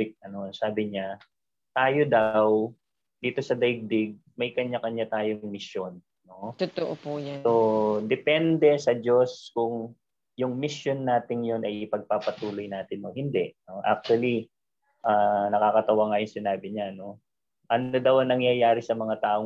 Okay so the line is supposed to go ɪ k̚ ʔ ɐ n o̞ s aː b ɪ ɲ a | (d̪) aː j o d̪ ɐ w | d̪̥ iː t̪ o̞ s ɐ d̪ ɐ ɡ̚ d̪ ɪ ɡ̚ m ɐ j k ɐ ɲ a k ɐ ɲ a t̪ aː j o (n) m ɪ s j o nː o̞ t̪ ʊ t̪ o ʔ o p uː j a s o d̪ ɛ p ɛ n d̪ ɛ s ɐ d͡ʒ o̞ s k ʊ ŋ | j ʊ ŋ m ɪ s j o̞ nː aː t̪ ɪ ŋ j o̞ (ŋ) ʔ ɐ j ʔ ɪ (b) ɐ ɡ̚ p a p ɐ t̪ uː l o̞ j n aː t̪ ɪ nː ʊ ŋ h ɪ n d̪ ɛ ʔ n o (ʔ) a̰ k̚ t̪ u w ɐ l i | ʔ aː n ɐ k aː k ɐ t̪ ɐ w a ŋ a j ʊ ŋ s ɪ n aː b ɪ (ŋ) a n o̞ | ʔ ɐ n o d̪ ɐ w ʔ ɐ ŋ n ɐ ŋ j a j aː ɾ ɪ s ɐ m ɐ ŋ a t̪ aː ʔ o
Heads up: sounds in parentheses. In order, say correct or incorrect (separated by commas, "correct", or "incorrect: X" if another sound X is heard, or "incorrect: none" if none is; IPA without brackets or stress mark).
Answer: incorrect: t̪, incorrect: ŋ, incorrect: n, incorrect: p, correct, incorrect: ɲ